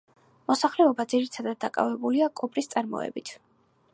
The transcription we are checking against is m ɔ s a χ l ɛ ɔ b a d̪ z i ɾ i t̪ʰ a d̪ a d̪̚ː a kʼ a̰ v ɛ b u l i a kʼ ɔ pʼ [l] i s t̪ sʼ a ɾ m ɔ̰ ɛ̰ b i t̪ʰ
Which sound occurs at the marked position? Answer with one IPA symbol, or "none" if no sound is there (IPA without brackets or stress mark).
ɾ